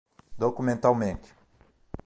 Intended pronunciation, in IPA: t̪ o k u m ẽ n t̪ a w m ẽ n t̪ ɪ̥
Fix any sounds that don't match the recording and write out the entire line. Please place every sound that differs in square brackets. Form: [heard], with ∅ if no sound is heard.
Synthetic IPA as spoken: [d̪] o k u m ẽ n t̪ a w m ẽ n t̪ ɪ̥